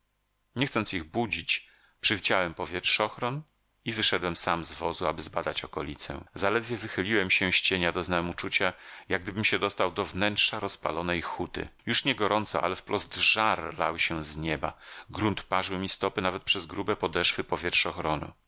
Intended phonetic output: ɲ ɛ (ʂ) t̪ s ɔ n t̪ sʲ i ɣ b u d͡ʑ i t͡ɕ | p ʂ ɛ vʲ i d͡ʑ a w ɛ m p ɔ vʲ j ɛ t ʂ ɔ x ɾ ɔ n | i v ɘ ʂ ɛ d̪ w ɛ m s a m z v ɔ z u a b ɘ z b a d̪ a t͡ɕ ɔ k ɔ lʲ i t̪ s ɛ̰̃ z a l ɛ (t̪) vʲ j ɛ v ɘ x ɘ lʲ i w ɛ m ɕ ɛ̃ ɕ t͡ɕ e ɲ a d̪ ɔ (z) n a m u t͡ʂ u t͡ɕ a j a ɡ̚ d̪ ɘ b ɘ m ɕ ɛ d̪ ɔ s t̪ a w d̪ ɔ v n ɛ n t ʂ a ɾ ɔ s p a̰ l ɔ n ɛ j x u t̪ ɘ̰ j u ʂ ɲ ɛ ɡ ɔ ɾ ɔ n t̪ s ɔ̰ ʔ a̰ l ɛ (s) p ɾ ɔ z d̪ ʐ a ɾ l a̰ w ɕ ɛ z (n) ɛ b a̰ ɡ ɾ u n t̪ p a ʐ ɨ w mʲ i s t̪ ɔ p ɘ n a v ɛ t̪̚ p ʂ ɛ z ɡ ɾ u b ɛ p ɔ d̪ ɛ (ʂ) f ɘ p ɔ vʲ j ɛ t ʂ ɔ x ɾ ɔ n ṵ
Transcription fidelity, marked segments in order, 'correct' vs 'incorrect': incorrect, incorrect, correct, incorrect, incorrect, correct

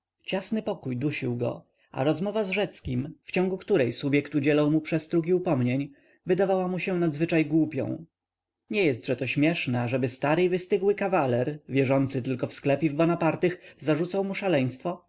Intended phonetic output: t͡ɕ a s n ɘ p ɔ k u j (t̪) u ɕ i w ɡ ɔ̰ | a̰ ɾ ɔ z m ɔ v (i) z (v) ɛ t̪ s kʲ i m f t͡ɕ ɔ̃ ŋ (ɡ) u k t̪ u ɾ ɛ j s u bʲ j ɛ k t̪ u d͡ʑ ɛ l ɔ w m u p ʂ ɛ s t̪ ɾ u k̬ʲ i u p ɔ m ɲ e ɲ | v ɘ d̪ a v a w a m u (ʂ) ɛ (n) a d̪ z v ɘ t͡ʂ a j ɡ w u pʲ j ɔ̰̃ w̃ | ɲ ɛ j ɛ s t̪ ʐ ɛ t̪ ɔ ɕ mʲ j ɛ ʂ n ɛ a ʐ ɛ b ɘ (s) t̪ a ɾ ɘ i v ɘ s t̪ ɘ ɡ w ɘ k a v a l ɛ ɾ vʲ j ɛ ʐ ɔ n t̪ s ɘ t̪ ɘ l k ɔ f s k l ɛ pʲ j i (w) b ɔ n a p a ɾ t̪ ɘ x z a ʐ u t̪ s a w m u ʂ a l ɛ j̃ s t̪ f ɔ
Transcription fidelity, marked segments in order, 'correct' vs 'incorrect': incorrect, incorrect, incorrect, correct, incorrect, correct, correct, incorrect

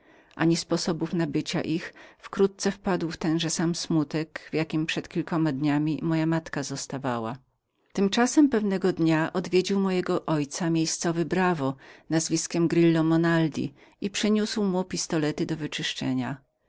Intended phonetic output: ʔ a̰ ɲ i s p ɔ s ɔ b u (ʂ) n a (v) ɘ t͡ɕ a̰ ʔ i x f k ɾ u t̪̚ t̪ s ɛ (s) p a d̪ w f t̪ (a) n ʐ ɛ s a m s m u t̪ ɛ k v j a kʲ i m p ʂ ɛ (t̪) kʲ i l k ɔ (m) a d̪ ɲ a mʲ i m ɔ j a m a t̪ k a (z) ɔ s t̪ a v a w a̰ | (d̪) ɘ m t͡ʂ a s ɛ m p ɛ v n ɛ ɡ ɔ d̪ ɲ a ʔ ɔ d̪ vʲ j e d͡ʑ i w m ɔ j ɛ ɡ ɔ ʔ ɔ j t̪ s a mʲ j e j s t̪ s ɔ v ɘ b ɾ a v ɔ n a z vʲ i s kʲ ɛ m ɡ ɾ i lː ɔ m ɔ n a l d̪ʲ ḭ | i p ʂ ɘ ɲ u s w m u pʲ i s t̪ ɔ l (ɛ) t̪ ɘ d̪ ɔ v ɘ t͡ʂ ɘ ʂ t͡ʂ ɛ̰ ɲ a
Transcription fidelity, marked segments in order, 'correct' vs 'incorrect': incorrect, incorrect, incorrect, incorrect, correct, correct, correct, incorrect, correct

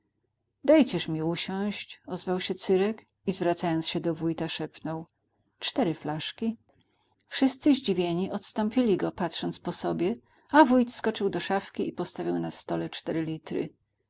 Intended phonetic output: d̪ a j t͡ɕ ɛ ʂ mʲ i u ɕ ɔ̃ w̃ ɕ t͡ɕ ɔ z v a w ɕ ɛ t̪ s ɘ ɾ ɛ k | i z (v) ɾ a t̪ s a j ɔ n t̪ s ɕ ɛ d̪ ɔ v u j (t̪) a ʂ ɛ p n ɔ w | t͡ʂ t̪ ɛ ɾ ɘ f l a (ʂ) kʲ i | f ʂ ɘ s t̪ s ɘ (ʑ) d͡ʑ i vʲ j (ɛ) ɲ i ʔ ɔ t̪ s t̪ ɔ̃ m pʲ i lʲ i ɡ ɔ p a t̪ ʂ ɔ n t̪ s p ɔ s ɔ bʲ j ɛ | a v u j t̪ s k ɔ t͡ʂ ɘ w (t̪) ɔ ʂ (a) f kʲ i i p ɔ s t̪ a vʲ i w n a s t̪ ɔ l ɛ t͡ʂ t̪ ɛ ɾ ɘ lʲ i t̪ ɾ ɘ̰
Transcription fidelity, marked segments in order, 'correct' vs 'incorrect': correct, correct, correct, correct, incorrect, incorrect, correct

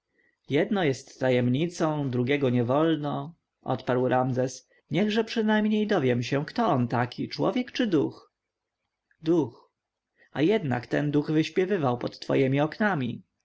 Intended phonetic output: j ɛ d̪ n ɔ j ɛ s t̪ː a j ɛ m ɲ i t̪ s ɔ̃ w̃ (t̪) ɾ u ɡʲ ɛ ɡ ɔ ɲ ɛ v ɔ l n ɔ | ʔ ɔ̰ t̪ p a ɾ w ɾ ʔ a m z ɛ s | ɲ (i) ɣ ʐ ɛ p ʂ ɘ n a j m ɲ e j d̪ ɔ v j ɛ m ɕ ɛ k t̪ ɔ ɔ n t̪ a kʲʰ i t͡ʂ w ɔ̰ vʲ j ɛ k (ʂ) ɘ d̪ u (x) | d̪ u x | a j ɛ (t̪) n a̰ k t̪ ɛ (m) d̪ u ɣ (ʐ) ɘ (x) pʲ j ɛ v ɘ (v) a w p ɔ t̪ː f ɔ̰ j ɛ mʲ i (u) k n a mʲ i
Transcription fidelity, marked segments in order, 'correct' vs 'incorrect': incorrect, incorrect, incorrect, correct, incorrect, incorrect, incorrect, incorrect, correct, incorrect

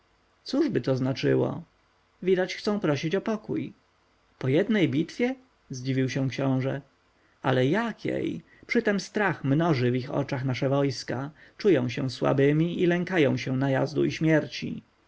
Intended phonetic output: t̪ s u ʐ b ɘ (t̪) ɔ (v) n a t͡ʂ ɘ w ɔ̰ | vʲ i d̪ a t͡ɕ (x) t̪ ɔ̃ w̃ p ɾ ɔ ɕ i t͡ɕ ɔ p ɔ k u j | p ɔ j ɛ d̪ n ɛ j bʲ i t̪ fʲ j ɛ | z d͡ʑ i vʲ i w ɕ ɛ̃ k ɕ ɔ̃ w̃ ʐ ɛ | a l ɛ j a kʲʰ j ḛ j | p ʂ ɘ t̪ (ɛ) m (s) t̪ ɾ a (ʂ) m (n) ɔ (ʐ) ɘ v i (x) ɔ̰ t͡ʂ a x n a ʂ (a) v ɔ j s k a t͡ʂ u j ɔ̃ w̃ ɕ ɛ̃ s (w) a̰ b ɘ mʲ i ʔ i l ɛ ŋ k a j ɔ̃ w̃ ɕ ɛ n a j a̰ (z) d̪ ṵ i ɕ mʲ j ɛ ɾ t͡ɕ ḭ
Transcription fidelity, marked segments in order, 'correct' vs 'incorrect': correct, incorrect, correct, correct, correct, incorrect, correct, correct, correct, incorrect, correct, correct

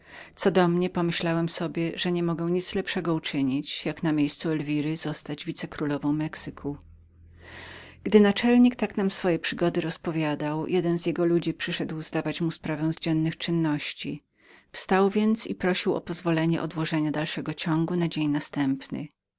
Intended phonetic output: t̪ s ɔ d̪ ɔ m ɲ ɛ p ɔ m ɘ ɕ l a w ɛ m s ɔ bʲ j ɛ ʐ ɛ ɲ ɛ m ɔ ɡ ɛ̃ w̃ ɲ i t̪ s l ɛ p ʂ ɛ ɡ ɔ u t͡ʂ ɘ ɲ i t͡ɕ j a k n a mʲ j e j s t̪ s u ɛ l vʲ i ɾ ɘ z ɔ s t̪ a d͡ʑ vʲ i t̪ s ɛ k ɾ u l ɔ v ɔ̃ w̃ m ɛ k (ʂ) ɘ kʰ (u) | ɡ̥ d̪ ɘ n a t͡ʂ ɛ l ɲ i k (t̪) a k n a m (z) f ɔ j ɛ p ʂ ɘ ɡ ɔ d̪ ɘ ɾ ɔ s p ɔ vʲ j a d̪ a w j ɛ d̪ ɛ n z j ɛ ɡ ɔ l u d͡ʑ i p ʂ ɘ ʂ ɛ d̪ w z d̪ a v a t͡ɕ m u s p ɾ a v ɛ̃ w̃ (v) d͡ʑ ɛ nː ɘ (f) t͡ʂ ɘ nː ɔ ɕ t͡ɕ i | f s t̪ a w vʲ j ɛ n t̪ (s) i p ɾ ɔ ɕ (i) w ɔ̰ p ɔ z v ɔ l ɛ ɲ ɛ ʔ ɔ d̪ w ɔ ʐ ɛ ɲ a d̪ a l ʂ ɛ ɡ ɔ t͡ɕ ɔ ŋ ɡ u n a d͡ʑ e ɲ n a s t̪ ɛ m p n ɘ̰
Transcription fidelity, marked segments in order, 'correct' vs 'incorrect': incorrect, correct, correct, incorrect, incorrect, incorrect, correct, correct

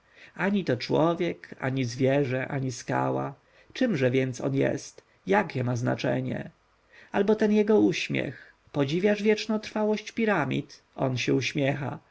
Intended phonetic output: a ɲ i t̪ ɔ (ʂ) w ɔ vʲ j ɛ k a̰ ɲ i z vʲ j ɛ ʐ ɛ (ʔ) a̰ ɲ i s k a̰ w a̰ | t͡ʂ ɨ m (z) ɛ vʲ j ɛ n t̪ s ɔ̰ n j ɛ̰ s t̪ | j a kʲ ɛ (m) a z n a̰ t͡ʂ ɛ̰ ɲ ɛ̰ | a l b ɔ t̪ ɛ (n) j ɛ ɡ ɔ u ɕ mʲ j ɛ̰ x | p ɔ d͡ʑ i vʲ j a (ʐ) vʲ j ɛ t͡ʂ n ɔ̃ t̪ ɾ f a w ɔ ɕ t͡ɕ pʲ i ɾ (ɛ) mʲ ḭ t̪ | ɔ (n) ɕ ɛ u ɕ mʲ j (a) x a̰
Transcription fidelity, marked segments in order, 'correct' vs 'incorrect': incorrect, correct, incorrect, correct, correct, correct, incorrect, correct, incorrect

